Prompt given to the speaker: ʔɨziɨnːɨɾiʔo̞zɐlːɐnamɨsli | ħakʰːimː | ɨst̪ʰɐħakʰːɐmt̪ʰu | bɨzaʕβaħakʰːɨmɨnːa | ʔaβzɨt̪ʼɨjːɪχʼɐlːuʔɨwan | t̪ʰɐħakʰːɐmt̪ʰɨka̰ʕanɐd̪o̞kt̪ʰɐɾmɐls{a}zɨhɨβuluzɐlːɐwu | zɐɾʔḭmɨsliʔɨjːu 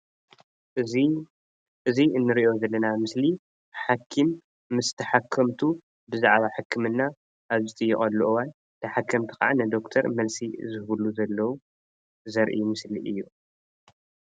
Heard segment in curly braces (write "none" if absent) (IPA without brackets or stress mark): i